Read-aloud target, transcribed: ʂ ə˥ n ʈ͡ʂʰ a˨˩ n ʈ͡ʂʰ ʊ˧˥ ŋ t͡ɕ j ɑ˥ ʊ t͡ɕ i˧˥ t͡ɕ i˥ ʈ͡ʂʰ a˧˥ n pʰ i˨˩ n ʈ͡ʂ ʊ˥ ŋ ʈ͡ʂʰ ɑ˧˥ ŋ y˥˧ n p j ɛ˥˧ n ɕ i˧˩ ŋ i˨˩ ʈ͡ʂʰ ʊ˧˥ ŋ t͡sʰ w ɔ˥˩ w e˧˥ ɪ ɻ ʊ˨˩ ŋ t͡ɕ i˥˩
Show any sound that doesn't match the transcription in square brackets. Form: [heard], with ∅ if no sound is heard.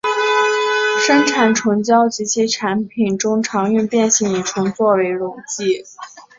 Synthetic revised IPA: ʂ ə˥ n ʈ͡ʂʰ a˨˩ n ʈ͡ʂʰ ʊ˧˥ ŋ t͡ɕ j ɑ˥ ʊ t͡ɕ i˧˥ [t͡ɕʰ] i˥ ʈ͡ʂʰ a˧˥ n pʰ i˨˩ n ʈ͡ʂ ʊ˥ ŋ ʈ͡ʂʰ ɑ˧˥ ŋ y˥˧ n p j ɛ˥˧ n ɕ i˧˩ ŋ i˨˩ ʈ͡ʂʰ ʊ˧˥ ŋ [t͡s] w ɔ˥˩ w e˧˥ ɪ ɻ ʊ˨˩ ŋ t͡ɕ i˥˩

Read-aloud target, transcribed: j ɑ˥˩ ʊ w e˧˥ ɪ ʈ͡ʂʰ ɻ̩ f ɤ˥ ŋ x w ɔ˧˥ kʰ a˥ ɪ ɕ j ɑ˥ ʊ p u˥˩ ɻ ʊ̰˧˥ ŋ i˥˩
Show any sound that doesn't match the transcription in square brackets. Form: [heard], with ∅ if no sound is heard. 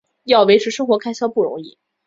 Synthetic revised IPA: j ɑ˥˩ ʊ w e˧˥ ɪ ʈ͡ʂʰ ɻ̩ [ʂ] ɤ˥ ŋ x w ɔ˧˥ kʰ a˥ ɪ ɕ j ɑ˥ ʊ p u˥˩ ɻ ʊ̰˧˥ ŋ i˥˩

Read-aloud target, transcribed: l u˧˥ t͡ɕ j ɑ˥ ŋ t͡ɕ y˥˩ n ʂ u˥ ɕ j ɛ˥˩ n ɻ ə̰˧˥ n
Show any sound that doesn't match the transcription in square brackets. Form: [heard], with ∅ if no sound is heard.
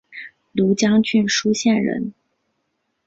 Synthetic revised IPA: l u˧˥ t͡ɕ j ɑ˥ ŋ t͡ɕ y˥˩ n ʂ u˥ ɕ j ɛ˥˩ n ɻ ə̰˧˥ n

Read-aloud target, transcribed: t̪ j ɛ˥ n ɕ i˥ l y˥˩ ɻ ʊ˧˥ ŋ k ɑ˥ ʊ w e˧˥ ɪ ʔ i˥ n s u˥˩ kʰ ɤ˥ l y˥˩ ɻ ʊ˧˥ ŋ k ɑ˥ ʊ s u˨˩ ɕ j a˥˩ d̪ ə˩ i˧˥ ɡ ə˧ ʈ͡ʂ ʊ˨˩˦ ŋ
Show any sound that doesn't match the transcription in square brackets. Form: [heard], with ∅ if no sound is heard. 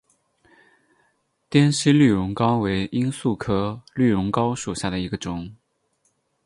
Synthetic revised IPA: t̪ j ɛ˥ n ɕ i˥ l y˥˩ ɻ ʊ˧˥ ŋ k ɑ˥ ʊ w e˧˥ ɪ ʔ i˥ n s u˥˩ kʰ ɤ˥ l y˥˩ ɻ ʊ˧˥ ŋ k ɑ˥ ʊ [ʂ] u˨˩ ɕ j a˥˩ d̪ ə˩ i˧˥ ɡ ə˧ ʈ͡ʂ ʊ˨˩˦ ŋ

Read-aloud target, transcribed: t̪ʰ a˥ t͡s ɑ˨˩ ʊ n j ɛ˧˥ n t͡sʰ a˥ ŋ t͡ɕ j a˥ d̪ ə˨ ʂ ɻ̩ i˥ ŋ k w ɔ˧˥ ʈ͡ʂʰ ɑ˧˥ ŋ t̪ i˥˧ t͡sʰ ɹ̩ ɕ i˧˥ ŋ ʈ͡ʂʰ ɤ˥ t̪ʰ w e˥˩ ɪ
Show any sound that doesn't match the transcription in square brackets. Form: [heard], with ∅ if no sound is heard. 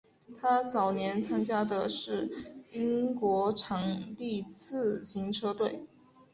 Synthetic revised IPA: t̪ʰ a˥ t͡s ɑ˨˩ ʊ n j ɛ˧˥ n t͡sʰ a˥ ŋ t͡ɕ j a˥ d̪ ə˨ ʂ ɻ̩ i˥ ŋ k w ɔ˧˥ ʈ͡ʂʰ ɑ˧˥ ŋ t̪ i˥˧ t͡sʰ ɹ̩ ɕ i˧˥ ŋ ʈ͡ʂʰ ɤ˥ [t̪] w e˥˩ ɪ

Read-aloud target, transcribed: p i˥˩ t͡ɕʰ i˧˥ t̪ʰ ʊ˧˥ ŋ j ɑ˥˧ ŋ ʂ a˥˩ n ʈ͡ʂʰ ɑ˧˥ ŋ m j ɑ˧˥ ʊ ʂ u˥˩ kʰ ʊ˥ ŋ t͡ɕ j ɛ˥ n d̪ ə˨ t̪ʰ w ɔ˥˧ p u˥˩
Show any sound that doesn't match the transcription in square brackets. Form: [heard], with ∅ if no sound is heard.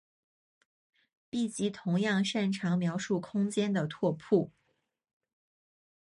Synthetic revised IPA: p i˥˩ [t͡ɕ] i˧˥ t̪ʰ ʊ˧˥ ŋ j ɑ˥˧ ŋ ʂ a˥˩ n ʈ͡ʂʰ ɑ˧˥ ŋ m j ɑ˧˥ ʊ ʂ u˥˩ kʰ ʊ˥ ŋ t͡ɕ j ɛ˥ n d̪ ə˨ t̪ʰ w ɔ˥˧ [pʰ] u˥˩

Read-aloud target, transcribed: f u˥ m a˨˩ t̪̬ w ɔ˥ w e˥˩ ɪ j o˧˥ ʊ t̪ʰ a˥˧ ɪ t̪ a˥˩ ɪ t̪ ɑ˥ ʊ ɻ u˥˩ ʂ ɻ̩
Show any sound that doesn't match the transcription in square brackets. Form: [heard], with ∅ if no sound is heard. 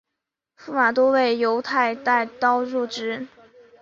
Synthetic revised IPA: f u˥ m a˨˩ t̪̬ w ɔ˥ w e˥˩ ɪ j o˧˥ ʊ t̪ʰ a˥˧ ɪ t̪ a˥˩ ɪ t̪ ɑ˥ ʊ ɻ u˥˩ [ʈ͡ʂ] ɻ̩

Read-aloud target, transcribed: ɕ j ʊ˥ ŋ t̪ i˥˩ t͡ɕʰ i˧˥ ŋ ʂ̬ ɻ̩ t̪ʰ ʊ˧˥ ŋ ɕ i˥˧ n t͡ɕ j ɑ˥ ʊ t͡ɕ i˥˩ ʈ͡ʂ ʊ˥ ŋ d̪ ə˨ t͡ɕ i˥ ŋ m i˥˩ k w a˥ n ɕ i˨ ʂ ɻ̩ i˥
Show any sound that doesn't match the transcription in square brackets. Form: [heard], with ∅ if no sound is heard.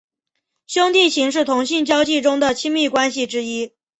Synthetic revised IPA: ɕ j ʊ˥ ŋ t̪ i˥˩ t͡ɕʰ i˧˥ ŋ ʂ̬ ɻ̩ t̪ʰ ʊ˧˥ ŋ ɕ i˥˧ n t͡ɕ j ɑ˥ ʊ t͡ɕ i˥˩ ʈ͡ʂ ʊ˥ ŋ d̪ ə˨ [t͡ɕʰ] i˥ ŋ m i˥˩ k w a˥ n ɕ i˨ [ʈ͡ʂ] ɻ̩ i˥

